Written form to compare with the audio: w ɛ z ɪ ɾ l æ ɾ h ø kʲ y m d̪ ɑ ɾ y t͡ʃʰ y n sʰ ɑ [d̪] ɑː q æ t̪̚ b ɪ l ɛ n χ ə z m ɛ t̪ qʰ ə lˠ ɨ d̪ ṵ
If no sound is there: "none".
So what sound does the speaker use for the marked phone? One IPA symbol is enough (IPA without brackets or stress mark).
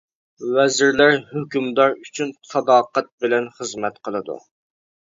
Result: d̪